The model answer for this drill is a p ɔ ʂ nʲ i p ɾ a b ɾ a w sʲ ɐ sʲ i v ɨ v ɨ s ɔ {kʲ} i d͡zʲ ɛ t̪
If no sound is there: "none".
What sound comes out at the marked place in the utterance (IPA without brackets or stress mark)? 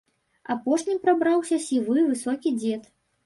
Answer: kʲ